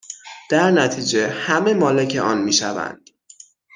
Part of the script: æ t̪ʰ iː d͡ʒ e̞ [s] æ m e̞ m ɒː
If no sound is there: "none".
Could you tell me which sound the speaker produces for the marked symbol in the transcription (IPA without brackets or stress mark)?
h